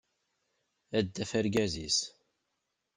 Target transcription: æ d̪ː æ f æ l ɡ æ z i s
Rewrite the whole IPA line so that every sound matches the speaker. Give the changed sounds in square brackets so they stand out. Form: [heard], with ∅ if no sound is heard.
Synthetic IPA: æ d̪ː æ f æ [ɾ] ɡ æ z i s